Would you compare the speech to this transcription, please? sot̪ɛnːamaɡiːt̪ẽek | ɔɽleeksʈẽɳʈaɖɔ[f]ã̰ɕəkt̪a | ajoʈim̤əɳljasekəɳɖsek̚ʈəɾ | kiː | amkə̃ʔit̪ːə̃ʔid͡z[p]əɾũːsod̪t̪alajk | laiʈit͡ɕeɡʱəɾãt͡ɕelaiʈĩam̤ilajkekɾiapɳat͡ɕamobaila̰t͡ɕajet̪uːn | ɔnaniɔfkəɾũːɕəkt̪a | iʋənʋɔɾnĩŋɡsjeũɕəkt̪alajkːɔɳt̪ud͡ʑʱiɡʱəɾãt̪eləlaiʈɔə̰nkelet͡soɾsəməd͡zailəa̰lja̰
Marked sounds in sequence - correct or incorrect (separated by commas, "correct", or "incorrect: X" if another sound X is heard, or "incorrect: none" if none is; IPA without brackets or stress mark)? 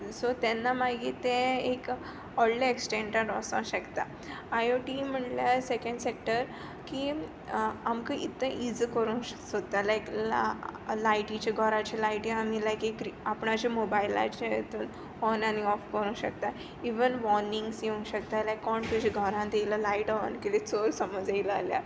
incorrect: s, incorrect: k